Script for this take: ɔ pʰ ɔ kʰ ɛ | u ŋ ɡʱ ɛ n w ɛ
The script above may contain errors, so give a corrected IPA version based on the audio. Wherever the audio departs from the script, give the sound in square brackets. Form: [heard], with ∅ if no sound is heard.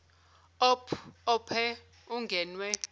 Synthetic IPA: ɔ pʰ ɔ [pʰ] ɛ | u ŋ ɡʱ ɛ n w ɛ